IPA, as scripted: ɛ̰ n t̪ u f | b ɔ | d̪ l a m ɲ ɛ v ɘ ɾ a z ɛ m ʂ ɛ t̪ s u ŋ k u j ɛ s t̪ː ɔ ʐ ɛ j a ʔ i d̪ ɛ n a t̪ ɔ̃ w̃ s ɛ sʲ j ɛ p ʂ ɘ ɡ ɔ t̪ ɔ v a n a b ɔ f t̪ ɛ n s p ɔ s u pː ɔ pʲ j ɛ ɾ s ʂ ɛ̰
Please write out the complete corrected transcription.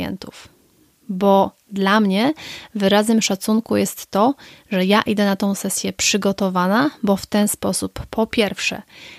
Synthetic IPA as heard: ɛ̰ n t̪ u f | b ɔ | d̪ l a m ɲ ɛ v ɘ ɾ a z ɛ m ʂ a t̪ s u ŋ k u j ɛ s t̪ː ɔ ʐ ɛ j a ʔ i d̪ ɛ n a t̪ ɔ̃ w̃ s ɛ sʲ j ɛ p ʂ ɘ ɡ ɔ t̪ ɔ v a n a b ɔ f t̪ ɛ n s p ɔ s u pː ɔ pʲ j ɛ ɾ f ʂ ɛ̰